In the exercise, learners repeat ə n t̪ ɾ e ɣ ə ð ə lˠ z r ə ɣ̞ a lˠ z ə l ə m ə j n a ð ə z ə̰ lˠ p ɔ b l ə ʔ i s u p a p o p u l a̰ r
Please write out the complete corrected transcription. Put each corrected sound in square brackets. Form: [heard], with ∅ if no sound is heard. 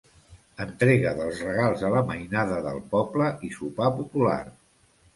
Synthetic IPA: ə n t̪ ɾ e ɣ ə ð ə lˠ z r ə ɣ̞ a lˠ z ə l ə m ə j n a ð ə [ð] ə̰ lˠ p ɔ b l ə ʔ i s u p a p [u] p u l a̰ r

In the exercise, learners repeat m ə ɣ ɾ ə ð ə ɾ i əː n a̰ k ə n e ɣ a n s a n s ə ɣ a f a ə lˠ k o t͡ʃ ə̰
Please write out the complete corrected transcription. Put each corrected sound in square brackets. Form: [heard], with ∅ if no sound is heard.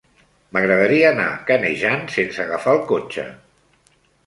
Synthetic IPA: m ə ɣ ɾ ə ð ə ɾ i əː n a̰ k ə n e [ʒ] a n s [e] n s ə ɣ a f a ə lˠ k o t͡ʃ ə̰

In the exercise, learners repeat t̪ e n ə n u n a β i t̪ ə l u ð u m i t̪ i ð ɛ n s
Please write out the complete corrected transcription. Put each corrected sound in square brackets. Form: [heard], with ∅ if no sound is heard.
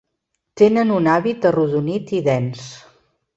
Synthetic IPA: t̪ e n ə n u n a β i t̪ ə [r] u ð u [n] i t̪ i ð ɛ n s

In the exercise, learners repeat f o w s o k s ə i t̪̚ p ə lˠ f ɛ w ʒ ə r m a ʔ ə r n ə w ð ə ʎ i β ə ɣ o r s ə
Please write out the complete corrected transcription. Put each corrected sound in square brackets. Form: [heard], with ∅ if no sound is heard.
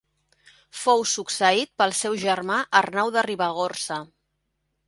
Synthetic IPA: f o w s [u] k s ə i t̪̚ p ə lˠ [s] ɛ w ʒ ə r m a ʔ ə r n [a] w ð ə [r] i β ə ɣ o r s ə

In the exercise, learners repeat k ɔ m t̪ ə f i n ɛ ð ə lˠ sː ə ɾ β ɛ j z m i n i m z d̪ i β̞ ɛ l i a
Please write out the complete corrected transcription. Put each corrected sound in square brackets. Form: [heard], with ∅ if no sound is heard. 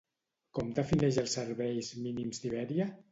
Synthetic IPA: k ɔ m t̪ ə f i n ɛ [ʒ] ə lˠ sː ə ɾ β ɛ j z m i n i m z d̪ i β̞ ɛ [ɾ] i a

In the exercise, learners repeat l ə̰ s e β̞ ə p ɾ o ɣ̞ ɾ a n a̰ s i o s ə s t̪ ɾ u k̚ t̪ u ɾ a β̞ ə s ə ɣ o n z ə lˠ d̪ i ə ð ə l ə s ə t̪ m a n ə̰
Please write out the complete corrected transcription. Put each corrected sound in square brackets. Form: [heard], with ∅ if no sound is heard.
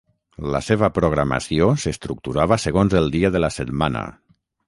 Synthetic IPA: l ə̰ s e β̞ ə p ɾ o ɣ̞ ɾ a [m] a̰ s i o s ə s t̪ ɾ u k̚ t̪ u ɾ a β̞ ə s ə ɣ o n z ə lˠ d̪ i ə ð ə l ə s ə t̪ m a n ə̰

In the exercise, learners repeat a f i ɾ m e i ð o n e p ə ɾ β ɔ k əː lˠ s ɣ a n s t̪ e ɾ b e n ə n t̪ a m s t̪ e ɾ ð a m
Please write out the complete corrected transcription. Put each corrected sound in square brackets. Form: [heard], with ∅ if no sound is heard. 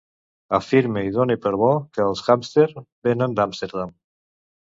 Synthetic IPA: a f i ɾ m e i ð o n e p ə ɾ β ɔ k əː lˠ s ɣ a [m] s t̪ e ɾ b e n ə n [d̪] a m s t̪ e ɾ ð a m

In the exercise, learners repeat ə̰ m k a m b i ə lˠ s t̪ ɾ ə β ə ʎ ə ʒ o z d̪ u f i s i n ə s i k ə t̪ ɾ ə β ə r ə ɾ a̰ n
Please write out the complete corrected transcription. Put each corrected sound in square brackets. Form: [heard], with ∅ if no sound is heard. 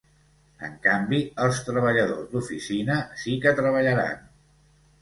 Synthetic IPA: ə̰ [ŋ] k a m b i ə lˠ s t̪ ɾ ə β ə ʎ ə [ð] o z d̪ u f i s i n ə s i k ə t̪ ɾ ə β ə [ʎ] ə ɾ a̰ n

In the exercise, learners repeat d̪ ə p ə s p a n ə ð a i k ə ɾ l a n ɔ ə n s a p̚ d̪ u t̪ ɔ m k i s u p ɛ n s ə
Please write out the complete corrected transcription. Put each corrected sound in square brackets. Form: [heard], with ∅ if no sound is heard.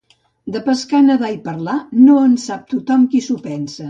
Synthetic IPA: d̪ ə p ə s [k] a n ə ð a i [p] ə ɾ l a n [o] ə n s a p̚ [t̪] u t̪ ɔ m k i s u p ɛ n s ə

